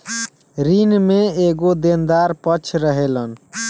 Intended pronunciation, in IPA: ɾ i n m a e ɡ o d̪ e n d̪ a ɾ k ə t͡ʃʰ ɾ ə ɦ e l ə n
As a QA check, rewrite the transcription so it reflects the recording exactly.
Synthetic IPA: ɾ i n m e e ɡ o d̪ e n d̪ a ɾ p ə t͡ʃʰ ɾ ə ɦ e l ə n